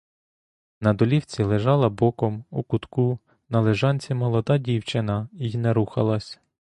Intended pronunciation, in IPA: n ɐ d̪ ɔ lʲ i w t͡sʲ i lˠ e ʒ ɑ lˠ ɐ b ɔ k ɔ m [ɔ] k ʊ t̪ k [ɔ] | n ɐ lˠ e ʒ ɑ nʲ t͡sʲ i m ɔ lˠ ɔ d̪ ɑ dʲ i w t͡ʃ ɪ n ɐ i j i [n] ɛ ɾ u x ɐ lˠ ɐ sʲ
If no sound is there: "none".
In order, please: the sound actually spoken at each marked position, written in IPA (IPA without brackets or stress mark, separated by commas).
u, u, n